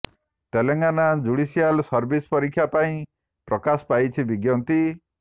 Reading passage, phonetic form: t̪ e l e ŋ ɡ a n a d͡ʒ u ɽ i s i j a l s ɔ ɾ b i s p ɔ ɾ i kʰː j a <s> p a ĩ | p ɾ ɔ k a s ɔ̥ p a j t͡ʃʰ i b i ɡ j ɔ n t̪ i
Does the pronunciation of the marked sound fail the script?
yes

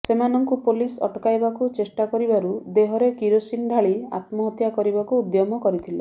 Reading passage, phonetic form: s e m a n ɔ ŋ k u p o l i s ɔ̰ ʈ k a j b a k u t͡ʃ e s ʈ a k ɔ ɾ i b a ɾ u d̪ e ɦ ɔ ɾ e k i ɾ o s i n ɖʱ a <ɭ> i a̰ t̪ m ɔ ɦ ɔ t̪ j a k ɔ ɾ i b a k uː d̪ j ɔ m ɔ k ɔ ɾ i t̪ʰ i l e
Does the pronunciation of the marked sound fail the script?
no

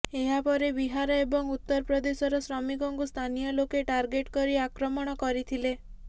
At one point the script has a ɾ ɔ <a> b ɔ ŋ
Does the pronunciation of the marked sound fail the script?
yes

